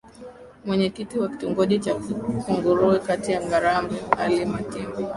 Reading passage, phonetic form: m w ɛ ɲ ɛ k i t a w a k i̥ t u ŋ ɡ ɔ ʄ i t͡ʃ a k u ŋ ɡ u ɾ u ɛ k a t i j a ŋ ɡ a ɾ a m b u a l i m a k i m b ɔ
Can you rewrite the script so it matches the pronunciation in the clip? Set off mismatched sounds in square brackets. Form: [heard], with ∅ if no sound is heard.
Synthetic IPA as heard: m w ɛ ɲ ɛ k i t [i] w a k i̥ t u ŋ ɡ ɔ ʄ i t͡ʃ a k u ŋ ɡ u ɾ u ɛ k a t i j a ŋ ɡ a ɾ a m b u a l i m a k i m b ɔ